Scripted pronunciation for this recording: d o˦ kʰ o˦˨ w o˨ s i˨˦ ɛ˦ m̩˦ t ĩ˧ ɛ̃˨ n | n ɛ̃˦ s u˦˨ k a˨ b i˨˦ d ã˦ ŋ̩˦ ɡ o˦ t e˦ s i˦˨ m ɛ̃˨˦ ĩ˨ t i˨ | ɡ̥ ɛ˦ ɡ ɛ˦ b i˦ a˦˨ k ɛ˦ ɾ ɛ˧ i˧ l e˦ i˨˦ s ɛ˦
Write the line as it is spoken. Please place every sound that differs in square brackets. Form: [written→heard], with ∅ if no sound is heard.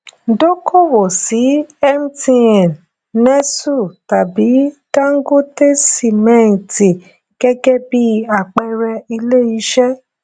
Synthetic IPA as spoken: d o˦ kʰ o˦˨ w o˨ s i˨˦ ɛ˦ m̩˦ t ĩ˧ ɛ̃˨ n | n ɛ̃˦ s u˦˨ [k→t] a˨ b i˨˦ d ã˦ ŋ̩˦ ɡ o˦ t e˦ s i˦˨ m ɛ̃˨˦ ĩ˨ t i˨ | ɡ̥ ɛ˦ ɡ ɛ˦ b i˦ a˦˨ [k→k͡p] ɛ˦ ɾ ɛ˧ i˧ l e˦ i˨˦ [s→ʃ] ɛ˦

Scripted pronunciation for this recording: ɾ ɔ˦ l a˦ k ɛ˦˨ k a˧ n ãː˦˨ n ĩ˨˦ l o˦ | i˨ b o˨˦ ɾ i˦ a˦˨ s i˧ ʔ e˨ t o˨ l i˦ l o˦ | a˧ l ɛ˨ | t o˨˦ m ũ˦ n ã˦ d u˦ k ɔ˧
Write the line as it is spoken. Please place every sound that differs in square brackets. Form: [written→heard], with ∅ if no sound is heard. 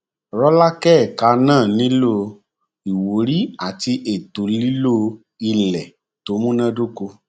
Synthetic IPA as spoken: ɾ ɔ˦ l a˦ k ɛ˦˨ k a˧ n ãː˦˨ n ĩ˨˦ l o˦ | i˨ [b→w] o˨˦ ɾ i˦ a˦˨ [s→t] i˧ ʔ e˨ t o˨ l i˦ l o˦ | [a˧→i˧] l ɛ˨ | t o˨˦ m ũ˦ n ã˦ d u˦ k [ɔ˧→o˧]

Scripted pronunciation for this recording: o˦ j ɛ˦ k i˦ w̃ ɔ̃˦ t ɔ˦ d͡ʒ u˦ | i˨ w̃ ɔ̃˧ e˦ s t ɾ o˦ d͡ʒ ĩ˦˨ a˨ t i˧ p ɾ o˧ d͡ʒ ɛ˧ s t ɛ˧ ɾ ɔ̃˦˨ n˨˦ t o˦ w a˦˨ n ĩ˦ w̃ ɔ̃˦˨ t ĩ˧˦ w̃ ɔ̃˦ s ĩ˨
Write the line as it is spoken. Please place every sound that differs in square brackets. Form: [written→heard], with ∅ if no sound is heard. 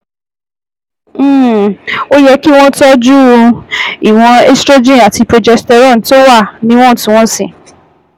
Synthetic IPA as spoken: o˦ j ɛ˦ k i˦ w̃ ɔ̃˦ t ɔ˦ d͡ʒ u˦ | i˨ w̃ ɔ̃˧ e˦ s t ɾ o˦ d͡ʒ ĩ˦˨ a˨ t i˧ p ɾ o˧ d͡ʒ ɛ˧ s t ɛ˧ ɾ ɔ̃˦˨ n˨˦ t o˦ w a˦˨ n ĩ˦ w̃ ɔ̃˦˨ t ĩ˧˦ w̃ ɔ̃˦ s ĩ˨

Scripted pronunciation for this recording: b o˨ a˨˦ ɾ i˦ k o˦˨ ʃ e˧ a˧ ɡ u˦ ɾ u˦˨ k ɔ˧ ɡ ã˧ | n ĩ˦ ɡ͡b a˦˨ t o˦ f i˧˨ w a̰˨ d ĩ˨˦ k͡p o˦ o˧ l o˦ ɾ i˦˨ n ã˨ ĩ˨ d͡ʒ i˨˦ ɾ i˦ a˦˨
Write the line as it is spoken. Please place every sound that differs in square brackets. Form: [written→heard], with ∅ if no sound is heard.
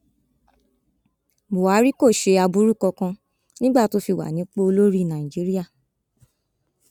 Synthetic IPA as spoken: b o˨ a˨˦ ɾ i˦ k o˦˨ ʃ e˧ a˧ [ɡ→b] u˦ ɾ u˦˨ k ɔ˧ [ɡ→k] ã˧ | n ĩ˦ ɡ͡b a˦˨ t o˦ f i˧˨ w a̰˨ [d→n] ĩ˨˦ k͡p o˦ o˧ l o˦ ɾ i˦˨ n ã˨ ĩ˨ d͡ʒ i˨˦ ɾ i˦ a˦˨

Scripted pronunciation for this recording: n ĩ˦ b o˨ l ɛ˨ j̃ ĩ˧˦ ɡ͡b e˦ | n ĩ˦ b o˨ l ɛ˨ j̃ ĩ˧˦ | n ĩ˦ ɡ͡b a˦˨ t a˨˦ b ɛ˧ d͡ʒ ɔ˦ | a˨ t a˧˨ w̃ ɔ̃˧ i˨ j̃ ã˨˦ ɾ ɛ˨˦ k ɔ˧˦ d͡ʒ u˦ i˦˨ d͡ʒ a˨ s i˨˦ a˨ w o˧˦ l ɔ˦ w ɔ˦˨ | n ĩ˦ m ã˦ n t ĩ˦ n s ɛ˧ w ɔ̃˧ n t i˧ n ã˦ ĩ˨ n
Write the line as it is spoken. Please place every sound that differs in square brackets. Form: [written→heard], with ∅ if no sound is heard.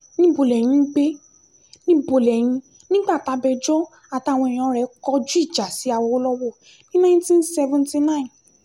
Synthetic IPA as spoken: n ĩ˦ b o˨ l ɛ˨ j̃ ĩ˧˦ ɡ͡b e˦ | n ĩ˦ b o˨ l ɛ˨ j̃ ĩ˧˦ | n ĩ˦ ɡ͡b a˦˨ t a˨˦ b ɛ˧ d͡ʒ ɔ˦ | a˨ t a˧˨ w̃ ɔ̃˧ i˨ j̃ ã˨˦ ɾ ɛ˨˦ k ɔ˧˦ d͡ʒ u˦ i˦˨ d͡ʒ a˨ s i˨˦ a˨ w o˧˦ l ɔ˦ w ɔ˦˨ | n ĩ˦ [m→n] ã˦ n t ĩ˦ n s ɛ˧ [w→v] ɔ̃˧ n t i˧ n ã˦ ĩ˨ n

